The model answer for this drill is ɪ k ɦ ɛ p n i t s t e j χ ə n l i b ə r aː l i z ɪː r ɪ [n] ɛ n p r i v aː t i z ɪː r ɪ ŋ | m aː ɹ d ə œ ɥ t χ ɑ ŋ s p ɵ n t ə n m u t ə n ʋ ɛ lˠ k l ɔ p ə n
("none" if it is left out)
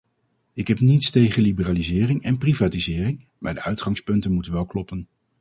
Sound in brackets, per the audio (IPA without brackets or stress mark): ŋ